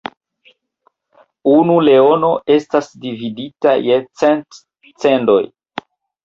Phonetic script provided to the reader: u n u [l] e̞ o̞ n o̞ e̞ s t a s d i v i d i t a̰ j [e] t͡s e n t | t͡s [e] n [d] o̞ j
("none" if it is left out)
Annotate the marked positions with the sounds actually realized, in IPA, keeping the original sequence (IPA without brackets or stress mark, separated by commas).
l, e, e, d